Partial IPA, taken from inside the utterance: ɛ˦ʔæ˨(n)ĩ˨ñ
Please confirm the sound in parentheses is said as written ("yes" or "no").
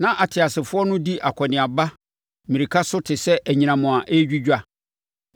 no